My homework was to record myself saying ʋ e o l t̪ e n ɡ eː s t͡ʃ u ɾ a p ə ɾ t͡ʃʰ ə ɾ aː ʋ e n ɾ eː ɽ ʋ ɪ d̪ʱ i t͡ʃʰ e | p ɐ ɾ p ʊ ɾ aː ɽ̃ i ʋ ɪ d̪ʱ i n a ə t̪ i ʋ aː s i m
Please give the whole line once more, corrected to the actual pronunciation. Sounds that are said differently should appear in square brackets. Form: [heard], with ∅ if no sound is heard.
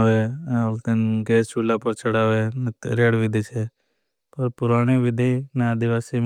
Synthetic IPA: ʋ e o l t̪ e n ɡ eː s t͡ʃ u [l] a p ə ɾ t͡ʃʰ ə [ɽ] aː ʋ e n ɾ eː ɽ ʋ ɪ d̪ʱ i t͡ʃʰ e | p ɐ ɾ p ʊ ɾ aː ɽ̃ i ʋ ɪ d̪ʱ i n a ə [d̪] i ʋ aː s i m